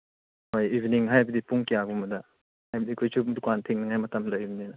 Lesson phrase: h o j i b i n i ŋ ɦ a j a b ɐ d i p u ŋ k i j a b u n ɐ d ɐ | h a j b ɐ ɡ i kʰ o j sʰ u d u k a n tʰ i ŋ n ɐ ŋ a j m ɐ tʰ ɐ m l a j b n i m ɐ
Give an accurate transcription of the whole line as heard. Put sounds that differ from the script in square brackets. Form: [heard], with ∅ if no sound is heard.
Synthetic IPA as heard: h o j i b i n i ŋ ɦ a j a b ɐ d i p u ŋ k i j a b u [m] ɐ d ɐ | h a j b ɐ [d] i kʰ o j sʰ u d u k a n tʰ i ŋ n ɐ ŋ a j m ɐ [t] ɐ m l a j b n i [n] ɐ